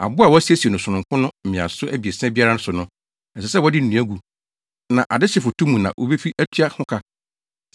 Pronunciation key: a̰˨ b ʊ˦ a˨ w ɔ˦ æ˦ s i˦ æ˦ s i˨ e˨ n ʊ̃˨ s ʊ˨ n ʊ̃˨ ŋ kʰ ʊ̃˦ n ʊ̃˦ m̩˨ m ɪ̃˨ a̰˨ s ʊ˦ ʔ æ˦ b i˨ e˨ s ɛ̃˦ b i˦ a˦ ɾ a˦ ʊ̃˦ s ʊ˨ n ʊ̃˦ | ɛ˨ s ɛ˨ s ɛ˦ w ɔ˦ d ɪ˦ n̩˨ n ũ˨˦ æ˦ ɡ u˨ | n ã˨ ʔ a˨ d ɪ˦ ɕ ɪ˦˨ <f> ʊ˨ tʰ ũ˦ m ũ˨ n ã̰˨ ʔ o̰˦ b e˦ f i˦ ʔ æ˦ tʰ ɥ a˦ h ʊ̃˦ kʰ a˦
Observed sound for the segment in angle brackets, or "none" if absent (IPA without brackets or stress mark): f